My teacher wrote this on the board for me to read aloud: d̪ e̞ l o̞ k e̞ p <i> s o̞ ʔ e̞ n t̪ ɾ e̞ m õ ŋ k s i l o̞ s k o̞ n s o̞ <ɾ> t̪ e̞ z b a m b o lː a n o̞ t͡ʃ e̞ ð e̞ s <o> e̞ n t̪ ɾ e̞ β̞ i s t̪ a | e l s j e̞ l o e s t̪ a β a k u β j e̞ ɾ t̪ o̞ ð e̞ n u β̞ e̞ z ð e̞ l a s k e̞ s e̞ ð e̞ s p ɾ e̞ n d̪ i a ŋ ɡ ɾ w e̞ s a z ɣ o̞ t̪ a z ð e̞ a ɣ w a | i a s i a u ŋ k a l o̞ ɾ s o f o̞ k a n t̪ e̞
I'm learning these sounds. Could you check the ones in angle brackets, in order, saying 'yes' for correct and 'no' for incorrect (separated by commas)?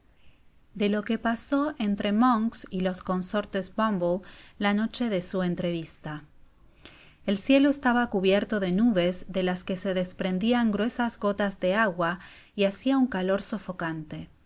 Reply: no, yes, no